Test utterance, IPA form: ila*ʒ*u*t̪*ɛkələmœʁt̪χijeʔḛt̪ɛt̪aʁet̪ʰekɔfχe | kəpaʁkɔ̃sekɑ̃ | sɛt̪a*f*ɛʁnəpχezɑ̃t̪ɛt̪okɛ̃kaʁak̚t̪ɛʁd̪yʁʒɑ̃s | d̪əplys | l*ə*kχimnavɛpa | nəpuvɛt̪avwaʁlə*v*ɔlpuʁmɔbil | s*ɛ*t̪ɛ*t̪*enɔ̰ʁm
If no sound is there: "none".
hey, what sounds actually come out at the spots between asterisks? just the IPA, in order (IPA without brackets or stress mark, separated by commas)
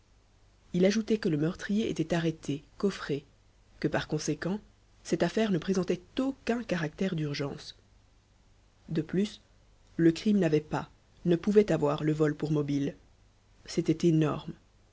ʒ, t̪, f, ə, v, e, t̪